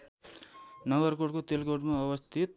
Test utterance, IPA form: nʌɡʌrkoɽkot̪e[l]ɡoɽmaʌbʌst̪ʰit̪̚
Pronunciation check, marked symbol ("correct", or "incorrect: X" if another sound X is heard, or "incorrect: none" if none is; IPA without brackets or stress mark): correct